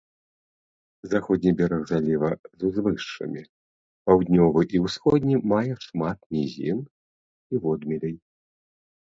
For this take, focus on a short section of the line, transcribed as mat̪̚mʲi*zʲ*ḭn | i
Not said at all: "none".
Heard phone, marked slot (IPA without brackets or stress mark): zʲ